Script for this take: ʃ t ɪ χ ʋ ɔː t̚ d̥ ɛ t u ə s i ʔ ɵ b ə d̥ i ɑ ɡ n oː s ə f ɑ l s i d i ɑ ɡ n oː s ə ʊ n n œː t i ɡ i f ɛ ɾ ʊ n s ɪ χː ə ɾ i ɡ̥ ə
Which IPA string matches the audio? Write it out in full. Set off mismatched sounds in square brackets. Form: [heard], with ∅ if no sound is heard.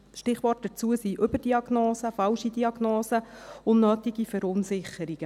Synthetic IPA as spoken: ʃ t ɪ χ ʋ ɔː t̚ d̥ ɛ [t͡s] u ə s i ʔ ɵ b ə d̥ i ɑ ɡ n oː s ə f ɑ l [ʃ] i d i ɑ ɡ n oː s ə ʊ n n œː t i ɡ i f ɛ ɾ ʊ n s ɪ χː ə ɾ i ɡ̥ ə